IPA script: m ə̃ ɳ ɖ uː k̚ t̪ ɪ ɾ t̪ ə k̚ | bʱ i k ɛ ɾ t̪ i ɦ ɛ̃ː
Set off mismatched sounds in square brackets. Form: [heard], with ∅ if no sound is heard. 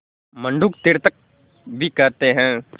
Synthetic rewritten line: m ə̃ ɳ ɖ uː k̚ t̪ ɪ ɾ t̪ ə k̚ | bʱ i k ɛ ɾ t̪ [e] ɦ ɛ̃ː